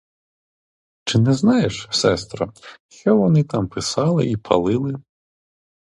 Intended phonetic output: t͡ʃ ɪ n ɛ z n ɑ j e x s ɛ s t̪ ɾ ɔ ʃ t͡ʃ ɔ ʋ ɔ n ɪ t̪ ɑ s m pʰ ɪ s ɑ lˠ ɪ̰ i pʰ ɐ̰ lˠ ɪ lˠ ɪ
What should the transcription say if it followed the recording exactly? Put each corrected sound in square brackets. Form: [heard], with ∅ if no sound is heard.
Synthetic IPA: t͡ʃ ɪ n ɛ z n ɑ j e [ʃ] s ɛ s t̪ ɾ ɔ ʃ t͡ʃ ɔ ʋ ɔ n ɪ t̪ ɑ [∅] m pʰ ɪ s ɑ lˠ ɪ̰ i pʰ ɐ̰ lˠ ɪ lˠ ɪ